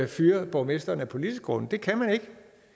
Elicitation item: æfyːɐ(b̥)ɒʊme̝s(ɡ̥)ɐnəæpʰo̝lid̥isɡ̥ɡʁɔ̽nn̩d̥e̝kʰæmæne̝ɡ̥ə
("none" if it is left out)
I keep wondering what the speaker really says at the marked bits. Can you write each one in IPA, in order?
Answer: b̥, d̥

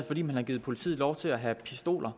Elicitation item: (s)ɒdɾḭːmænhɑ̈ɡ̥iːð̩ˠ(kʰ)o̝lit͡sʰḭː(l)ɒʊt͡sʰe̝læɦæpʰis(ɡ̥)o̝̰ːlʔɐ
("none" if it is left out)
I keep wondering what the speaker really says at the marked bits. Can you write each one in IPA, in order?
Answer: f, pʰ, l, d̥

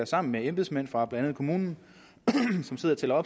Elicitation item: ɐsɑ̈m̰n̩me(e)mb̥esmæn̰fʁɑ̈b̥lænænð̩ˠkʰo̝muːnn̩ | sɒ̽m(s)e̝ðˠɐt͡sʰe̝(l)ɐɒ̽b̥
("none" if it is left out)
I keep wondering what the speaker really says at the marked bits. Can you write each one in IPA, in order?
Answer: e, s, l

